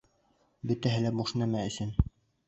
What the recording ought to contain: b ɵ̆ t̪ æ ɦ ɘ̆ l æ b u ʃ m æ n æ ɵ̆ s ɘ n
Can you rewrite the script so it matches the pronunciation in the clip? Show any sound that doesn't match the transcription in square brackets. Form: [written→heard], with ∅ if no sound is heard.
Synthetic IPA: b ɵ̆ t̪ æ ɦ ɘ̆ l æ b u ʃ [m→n] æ [n→m] æ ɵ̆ s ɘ n